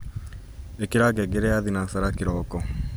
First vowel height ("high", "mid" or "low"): mid